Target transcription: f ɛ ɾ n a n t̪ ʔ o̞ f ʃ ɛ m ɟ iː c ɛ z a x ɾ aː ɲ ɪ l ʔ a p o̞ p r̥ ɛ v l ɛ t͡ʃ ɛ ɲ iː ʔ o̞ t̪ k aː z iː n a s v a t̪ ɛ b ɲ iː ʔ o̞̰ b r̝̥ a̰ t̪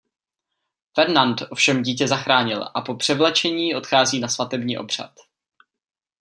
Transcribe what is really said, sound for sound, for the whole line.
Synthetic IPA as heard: f ɛ ɾ n a n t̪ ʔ o̞ f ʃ ɛ m ɟ iː c ɛ z a x ɾ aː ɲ ɪ l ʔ a p o̞ p r̥ ɛ v l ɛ t͡ʃ ɛ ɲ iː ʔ o̞ t̪ x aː z iː n a s v a t̪ ɛ b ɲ iː ʔ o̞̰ b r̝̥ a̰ t̪